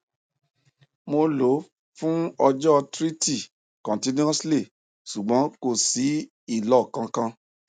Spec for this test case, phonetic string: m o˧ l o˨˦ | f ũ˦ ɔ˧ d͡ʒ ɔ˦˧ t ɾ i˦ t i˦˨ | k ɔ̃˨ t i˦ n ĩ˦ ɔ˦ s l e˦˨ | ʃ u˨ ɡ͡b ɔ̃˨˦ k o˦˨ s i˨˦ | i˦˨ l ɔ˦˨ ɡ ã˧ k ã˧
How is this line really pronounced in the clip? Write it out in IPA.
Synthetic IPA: m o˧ l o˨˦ | f ũ˦ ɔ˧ d͡ʒ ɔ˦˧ t ɾ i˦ t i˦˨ | k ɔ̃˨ t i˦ n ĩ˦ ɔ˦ s l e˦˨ | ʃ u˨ ɡ͡b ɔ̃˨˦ k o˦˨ s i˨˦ | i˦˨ l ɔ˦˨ k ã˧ k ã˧